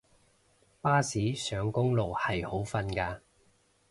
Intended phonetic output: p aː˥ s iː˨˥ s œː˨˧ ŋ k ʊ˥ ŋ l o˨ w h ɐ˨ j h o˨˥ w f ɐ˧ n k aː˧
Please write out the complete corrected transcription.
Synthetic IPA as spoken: p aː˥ s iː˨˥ s œː˨˧ ŋ k ʊ˥ ŋ l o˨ w h ɐ˨ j h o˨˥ w f ɐ˧ n k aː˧